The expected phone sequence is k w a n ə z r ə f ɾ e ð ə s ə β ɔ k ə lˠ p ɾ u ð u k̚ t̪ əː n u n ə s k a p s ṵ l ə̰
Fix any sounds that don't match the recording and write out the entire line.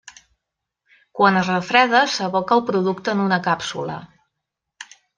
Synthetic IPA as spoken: k w a n ə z r ə f ɾ ɛ ð ə s ə β ɔ k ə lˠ p ɾ u ð u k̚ t̪ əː n u n ə k a p s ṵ l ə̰